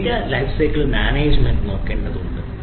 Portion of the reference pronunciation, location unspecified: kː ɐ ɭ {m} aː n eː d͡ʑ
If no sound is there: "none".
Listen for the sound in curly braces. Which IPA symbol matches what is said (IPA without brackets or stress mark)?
m